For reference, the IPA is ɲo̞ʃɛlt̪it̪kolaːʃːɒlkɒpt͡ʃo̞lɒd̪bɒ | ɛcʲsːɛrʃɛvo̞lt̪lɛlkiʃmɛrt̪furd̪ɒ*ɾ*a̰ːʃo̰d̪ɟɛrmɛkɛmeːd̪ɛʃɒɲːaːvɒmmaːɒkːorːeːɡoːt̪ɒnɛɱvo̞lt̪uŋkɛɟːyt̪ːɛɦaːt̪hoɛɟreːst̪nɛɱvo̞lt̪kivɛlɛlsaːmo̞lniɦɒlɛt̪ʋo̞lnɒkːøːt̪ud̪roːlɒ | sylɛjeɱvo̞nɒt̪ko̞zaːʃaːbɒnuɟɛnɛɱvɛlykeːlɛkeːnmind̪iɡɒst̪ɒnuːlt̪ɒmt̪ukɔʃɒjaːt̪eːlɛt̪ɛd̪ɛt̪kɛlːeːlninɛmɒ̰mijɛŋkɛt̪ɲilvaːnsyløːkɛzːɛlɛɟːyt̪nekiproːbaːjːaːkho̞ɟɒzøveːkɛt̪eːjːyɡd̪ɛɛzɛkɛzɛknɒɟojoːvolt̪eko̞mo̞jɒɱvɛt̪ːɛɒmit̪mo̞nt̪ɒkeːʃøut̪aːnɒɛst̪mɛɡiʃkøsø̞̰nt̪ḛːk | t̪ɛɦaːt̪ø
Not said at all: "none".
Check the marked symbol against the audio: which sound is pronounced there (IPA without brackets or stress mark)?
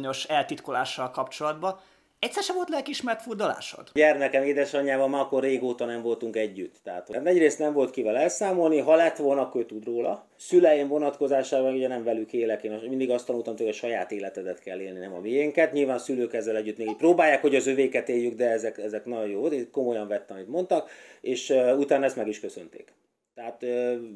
l